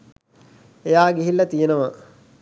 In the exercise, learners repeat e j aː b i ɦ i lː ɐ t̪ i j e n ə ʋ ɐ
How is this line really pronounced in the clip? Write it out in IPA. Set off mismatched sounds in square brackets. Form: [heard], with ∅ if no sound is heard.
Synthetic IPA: e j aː [ɡ] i ɦ i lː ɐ t̪ i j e n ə ʋ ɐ